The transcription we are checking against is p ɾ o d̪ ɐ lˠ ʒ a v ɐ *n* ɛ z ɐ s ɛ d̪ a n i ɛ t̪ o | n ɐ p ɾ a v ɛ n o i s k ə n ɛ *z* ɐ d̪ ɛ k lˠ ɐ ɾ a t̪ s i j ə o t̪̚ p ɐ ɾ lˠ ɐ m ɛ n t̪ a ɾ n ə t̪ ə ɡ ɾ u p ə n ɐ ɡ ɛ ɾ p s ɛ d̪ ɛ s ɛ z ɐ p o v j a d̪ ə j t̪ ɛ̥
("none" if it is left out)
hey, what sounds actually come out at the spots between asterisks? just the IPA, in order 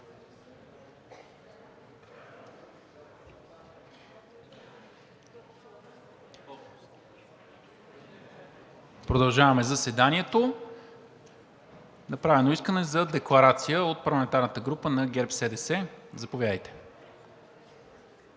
m, z

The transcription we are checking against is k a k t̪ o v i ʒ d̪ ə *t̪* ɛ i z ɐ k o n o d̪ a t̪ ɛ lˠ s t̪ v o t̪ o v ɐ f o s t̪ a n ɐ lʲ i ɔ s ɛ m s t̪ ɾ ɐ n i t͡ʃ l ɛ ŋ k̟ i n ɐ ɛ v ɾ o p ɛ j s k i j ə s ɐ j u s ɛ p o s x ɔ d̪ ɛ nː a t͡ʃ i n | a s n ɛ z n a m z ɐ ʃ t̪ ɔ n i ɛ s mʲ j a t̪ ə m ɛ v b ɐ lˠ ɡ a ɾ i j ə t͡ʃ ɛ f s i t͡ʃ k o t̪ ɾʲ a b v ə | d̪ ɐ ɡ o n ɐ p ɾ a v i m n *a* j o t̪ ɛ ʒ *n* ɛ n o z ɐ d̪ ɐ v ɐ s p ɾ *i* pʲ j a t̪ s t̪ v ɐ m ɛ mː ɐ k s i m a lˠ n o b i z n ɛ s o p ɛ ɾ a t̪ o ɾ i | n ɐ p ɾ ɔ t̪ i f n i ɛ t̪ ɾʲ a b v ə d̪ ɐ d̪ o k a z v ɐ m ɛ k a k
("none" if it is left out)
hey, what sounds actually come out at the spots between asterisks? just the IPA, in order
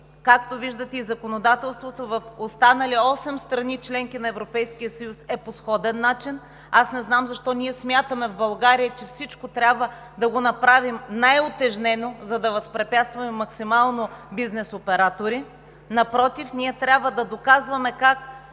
t̪, a, n, ɛ

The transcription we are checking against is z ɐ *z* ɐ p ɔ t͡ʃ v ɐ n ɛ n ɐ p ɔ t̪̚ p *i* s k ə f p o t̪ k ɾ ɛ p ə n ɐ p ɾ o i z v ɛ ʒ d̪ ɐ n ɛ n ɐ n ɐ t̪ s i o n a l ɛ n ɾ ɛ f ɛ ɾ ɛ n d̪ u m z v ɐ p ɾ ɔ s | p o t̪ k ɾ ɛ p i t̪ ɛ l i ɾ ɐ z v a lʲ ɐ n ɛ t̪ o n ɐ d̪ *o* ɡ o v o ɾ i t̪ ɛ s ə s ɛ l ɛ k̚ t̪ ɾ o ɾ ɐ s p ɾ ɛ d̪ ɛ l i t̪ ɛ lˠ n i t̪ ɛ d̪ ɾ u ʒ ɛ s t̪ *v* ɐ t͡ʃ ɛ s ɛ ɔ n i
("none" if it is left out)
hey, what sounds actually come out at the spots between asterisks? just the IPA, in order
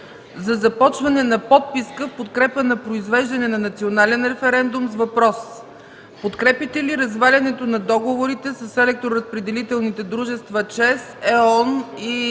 z, i, ɔ, v

